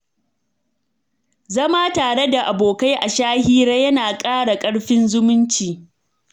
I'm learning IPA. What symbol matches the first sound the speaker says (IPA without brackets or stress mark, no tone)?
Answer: z